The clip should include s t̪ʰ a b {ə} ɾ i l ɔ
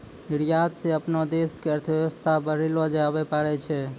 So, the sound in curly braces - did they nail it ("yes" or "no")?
yes